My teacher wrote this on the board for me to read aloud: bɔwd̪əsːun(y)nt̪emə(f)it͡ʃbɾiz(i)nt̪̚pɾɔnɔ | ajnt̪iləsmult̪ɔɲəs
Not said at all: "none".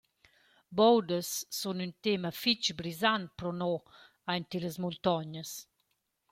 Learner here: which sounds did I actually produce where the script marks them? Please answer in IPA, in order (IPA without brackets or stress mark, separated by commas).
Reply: y, f, a